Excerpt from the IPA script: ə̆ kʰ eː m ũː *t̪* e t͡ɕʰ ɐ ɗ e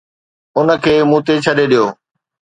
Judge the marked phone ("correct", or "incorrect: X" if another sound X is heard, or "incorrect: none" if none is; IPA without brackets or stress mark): correct